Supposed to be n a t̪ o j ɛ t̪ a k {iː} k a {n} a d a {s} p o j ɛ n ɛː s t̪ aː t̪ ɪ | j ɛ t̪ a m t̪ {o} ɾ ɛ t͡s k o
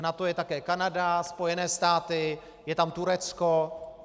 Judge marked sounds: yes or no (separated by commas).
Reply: no, yes, yes, no